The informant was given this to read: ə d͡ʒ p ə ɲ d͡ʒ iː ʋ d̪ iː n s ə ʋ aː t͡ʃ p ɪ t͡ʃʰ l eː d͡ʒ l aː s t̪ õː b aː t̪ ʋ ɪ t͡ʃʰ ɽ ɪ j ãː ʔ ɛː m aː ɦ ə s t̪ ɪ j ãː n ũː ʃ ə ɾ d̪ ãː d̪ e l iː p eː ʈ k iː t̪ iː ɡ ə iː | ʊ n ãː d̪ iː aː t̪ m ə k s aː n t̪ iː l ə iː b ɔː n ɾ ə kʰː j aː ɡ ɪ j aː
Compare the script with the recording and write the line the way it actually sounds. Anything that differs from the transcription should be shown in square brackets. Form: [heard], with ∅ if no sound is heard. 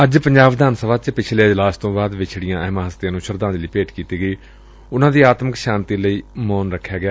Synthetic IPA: ə d͡ʒ p ə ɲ d͡ʒ [aː] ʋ d̪ [aː] n s ə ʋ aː t͡ʃ p ɪ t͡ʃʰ l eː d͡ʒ l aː s t̪ õː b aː [d̪] ʋ ɪ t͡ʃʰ ɽ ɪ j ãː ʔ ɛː m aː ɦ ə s t̪ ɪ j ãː n ũː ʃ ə ɾ d̪ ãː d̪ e l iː p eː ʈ k iː t̪ iː ɡ ə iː | ʊ n ãː d̪ iː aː t̪ m ə k [ʃ] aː n t̪ iː l ə iː [m] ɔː n ɾ ə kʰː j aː ɡ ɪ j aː